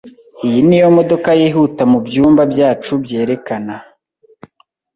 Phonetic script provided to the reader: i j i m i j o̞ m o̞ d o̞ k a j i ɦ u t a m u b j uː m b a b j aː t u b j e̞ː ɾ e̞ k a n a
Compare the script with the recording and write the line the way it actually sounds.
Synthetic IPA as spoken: i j i n i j o̞ m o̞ d o̞ k a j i ɦ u t a m u b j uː m b a b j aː t͡ʃ u b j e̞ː ɾ e̞ k a n a